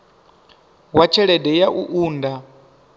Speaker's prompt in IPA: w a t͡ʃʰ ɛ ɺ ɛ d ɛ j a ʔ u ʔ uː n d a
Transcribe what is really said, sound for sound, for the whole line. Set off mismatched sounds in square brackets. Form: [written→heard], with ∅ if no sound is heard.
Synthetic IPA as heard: w a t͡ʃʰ ɛ ɺ ɛ d ɛ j a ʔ u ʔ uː n d a